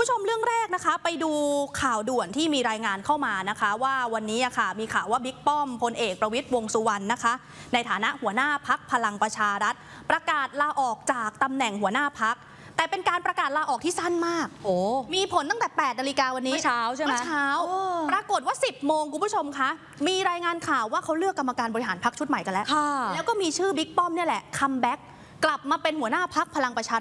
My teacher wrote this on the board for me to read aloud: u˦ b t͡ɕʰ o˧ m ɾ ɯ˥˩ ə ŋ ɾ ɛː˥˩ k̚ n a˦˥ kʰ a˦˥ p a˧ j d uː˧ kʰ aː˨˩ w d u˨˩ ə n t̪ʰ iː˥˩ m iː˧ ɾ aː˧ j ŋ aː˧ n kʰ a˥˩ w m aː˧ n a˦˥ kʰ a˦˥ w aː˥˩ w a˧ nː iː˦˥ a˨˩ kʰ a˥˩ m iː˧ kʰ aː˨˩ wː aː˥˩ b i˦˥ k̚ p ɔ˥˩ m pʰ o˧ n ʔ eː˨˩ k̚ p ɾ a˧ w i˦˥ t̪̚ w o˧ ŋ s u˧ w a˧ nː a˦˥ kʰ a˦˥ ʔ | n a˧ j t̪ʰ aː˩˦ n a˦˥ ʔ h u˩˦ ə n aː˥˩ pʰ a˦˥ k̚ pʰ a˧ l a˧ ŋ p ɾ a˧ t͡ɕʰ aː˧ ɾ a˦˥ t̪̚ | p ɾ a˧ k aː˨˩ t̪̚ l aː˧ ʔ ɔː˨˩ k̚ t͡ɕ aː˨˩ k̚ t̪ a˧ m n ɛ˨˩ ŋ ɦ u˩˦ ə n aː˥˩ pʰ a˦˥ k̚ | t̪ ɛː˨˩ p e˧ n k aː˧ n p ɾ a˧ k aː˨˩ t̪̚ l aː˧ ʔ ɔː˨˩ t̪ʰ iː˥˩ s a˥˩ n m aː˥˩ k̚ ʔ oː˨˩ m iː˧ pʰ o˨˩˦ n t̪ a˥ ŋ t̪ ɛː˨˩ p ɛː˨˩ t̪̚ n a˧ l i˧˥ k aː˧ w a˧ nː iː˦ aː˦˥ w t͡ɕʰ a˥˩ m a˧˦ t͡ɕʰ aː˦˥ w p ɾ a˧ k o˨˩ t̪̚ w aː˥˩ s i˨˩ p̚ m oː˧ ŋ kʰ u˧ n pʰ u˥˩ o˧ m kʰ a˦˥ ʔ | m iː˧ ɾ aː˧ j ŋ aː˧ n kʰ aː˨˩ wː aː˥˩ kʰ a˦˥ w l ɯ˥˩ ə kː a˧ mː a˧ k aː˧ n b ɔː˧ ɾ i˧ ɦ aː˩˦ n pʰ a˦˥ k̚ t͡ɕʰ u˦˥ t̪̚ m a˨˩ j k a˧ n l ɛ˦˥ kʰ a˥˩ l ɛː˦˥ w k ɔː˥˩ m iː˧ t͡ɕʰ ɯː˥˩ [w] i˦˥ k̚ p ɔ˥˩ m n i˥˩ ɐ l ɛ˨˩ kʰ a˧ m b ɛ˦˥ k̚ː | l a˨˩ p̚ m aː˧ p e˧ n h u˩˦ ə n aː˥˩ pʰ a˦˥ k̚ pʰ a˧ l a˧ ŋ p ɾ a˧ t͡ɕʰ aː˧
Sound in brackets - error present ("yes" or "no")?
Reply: yes